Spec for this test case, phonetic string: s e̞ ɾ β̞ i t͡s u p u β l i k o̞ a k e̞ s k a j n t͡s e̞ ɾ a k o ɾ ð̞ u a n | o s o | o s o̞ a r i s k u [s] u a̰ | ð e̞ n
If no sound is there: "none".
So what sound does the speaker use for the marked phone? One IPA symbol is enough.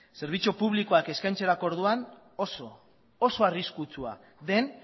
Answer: t͡s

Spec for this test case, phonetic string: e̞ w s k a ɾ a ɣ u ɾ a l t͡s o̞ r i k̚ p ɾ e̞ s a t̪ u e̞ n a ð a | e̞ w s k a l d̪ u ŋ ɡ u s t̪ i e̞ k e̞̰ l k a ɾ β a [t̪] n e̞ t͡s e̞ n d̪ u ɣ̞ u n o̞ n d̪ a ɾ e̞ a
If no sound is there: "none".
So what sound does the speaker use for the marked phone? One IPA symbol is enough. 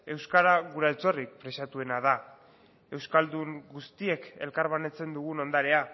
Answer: none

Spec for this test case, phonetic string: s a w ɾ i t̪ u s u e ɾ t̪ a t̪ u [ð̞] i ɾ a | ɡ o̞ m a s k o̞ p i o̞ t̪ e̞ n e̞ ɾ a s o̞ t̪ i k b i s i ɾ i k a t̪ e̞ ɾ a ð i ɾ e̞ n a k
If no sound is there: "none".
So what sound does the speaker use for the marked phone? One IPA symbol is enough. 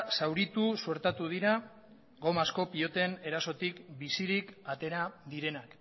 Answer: ð̞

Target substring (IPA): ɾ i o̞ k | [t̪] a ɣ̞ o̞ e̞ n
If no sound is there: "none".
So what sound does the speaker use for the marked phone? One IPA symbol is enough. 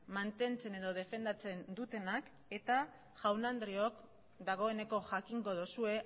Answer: d̪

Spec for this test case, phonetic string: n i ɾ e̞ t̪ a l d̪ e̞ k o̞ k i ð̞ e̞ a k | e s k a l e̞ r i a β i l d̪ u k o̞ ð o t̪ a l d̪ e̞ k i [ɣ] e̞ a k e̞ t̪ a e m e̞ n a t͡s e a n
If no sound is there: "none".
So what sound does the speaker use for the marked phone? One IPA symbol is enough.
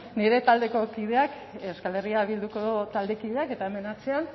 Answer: ð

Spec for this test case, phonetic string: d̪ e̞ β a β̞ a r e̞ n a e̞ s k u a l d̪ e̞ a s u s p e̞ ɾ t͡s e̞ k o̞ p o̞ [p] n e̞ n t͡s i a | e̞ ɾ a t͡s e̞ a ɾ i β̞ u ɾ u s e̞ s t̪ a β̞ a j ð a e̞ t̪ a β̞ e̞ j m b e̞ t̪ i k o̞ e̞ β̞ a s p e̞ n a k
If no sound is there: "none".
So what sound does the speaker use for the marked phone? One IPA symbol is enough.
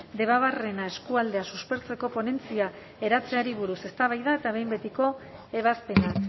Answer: none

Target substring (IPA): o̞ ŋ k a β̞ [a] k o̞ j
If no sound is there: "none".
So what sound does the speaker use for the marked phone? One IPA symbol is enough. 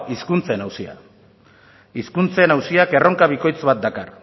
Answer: i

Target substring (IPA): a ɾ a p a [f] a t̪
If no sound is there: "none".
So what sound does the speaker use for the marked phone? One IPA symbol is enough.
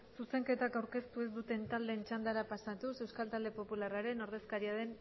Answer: s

